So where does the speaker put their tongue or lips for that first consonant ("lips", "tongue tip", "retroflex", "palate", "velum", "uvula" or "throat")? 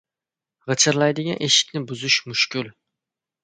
uvula